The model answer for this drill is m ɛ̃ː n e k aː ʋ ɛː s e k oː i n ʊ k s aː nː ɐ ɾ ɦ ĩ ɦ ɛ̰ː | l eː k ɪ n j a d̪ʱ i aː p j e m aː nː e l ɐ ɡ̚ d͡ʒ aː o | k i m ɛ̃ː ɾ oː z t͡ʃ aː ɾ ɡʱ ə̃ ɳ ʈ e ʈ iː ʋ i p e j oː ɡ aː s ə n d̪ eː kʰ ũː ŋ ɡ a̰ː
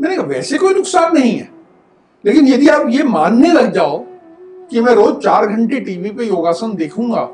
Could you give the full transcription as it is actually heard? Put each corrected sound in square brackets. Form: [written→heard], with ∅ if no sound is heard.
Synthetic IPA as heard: m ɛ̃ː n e k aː ʋ ɛː s e k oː i n ʊ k s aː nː ɐ [ɾ→∅] ɦ ĩ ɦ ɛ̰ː | l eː k ɪ n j [a→ɐ] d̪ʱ i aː p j e m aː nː e l ɐ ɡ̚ d͡ʒ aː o | k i m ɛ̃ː ɾ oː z t͡ʃ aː ɾ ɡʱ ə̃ ɳ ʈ e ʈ iː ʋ i p e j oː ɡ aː s ə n d̪ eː kʰ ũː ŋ ɡ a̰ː